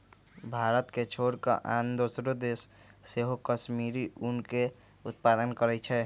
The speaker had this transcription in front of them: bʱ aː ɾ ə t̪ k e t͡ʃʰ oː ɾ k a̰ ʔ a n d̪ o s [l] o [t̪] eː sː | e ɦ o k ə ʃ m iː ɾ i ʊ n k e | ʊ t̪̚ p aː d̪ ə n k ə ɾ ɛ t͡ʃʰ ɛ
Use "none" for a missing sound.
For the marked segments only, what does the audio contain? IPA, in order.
ɾ, d̪

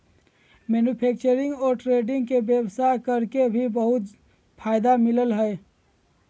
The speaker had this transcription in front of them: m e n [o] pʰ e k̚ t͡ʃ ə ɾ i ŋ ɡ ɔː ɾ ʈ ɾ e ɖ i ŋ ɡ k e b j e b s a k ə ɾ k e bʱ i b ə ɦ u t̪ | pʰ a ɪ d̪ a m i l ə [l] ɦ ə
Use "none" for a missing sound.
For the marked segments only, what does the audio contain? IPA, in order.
u, l

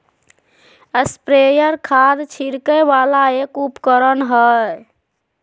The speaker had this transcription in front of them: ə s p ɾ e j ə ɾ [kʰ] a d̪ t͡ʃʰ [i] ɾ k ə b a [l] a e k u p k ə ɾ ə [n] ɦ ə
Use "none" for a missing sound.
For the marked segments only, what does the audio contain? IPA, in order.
kʰ, i, l, n

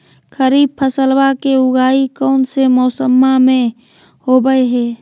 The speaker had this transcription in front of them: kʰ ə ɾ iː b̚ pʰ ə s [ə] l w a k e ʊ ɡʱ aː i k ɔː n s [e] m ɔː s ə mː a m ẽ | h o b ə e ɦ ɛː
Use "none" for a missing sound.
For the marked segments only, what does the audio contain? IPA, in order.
ə, e

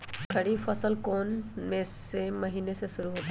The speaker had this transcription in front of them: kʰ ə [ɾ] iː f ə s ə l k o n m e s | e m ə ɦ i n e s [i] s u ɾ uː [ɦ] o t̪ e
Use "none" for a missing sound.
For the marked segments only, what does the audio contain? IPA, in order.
ɽ, e, ɦ

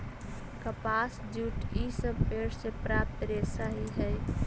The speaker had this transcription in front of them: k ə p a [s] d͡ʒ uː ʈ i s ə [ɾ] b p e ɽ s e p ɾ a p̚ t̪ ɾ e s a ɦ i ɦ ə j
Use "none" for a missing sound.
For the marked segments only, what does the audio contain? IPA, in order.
s, none

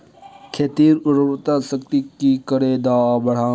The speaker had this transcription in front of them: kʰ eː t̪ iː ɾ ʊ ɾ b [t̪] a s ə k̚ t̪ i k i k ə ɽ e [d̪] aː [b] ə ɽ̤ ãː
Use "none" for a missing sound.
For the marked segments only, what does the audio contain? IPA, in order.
t̪, d̪, b

